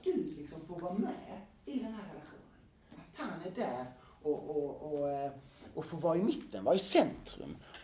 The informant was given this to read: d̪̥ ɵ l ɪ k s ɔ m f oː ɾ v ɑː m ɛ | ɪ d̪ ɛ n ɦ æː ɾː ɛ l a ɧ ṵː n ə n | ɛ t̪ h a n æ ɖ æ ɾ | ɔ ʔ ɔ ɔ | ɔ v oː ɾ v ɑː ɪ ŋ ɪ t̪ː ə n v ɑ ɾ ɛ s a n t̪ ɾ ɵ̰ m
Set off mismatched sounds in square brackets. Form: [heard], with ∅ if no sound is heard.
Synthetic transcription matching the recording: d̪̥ ɵ l ɪ k s ɔ m f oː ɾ v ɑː m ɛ | ɪ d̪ ɛ n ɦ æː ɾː ɛ l a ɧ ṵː n ə n | [a] t̪ h a n æ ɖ æ ɾ | ɔ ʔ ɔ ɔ | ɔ [f] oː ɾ v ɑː ɪ [m] ɪ t̪ː ə n v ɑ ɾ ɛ s [ɛ] n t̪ ɾ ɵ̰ m